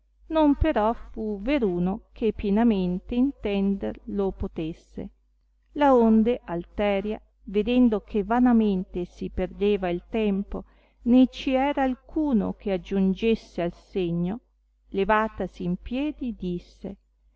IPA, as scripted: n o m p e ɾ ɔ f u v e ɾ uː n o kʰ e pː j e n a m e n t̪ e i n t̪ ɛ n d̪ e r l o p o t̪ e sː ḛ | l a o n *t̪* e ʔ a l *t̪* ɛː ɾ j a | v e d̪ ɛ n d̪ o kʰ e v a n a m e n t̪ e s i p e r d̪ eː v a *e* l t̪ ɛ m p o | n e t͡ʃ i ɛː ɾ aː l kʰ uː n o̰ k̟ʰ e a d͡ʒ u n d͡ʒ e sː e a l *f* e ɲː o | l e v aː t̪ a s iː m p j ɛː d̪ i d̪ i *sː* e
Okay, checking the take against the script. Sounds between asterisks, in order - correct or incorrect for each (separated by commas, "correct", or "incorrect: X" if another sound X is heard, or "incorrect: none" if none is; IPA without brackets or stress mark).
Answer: incorrect: d̪, correct, incorrect: i, incorrect: s, correct